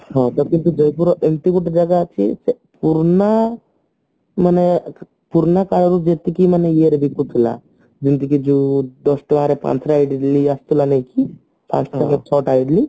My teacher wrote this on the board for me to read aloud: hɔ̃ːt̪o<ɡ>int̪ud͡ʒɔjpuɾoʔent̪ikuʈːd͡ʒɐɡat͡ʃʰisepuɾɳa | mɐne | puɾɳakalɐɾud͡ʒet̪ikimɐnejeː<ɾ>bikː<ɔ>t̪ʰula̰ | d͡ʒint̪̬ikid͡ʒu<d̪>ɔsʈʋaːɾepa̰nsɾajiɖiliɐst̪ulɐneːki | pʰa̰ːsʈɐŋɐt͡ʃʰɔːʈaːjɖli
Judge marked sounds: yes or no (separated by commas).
no, yes, no, yes